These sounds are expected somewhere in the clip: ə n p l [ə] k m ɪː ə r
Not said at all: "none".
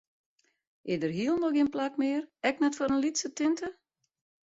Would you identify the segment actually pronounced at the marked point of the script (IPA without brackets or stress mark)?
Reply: a